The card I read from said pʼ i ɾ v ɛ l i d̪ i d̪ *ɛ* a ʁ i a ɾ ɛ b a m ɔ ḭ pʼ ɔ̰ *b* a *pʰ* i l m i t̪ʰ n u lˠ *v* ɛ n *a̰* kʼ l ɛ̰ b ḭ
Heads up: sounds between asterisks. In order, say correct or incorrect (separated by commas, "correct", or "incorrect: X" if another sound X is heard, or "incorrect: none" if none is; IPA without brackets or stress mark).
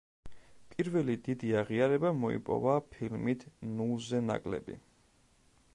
incorrect: i, incorrect: v, correct, incorrect: z, correct